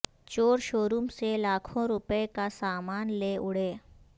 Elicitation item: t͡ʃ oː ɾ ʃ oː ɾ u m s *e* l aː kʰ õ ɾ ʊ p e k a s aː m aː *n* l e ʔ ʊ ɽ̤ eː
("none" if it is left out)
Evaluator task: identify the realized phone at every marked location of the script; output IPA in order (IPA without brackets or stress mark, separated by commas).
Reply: e, n